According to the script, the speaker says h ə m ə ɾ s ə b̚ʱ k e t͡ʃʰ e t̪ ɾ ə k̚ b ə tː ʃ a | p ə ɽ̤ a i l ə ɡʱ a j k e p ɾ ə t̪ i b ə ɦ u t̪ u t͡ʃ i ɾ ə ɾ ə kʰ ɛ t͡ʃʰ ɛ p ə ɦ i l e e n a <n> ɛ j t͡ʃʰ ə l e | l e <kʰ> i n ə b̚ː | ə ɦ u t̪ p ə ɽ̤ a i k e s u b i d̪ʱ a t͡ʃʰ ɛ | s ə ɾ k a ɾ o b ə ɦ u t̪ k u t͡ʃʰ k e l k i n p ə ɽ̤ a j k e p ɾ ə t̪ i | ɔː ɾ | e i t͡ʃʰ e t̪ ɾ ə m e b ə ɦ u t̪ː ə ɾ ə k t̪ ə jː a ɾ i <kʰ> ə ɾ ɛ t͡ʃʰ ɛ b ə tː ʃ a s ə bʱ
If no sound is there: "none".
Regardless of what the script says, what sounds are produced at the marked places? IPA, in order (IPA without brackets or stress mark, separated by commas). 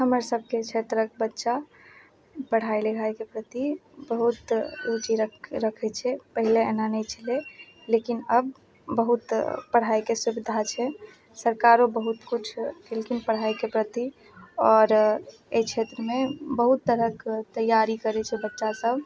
n, k, k